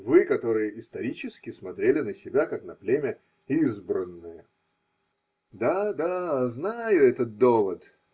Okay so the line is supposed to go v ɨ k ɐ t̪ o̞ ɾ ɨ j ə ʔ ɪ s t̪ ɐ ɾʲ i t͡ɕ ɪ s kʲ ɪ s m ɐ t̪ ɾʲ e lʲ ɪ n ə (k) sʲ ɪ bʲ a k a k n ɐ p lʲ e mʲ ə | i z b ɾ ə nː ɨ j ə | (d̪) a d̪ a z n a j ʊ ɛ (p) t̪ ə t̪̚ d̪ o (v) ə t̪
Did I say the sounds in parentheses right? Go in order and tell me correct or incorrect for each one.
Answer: incorrect, correct, incorrect, correct

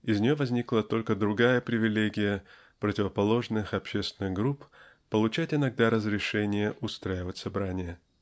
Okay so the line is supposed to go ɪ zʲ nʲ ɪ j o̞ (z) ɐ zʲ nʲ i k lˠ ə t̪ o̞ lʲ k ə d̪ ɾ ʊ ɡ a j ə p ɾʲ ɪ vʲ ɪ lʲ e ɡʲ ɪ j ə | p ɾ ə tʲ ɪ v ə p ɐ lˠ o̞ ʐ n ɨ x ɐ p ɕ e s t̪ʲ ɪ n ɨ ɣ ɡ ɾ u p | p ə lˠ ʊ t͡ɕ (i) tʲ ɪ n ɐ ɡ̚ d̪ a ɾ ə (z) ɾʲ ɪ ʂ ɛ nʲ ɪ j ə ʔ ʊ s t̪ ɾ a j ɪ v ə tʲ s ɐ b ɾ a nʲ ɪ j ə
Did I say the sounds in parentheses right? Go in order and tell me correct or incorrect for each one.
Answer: incorrect, incorrect, correct

